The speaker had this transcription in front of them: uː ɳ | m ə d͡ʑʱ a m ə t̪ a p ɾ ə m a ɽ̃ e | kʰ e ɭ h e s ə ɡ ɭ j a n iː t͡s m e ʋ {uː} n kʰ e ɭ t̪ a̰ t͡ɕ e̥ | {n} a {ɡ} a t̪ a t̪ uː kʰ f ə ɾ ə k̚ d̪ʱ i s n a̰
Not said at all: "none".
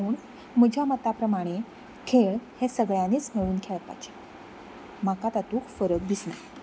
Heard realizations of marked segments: uː, m, k

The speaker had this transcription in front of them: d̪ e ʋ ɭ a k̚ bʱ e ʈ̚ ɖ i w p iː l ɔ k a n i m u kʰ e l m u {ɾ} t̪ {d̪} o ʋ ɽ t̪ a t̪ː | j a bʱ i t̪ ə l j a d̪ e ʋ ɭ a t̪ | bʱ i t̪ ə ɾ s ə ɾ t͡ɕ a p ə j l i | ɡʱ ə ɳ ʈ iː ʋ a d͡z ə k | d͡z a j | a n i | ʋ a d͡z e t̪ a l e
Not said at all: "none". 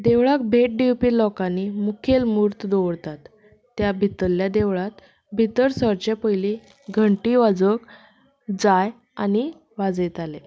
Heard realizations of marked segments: ɾ, d̪

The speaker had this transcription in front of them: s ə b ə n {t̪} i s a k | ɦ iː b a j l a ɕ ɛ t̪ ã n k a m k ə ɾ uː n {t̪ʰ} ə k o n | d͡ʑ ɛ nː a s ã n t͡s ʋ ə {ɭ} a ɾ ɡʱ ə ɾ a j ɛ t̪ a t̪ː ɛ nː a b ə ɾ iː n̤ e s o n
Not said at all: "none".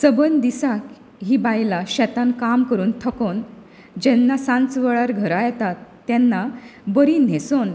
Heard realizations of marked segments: d̪, t̪ʰ, ɭ

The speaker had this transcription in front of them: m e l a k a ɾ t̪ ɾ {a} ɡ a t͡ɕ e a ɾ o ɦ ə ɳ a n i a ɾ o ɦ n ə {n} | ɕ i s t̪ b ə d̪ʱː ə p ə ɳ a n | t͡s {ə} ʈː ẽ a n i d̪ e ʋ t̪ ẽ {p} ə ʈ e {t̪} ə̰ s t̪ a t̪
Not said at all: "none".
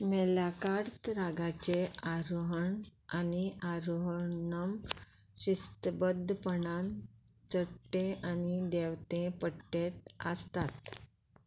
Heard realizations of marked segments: a, m, ə, p, t̪

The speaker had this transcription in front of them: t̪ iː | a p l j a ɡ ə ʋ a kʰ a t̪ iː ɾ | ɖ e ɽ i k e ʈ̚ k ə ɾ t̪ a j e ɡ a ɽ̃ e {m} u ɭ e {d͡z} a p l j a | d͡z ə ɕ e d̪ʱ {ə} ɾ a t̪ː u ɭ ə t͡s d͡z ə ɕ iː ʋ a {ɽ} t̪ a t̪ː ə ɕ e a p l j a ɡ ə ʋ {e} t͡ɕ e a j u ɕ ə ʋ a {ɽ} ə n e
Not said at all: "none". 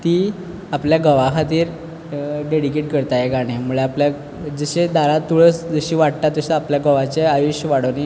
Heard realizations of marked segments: m, none, a, ɽ, a, ɽ

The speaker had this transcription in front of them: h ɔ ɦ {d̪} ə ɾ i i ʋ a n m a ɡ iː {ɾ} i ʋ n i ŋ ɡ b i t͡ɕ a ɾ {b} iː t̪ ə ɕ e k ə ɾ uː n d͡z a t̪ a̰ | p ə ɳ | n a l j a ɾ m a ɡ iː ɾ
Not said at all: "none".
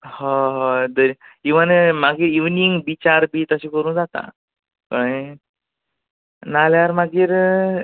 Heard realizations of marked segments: d̪, ɾ, b

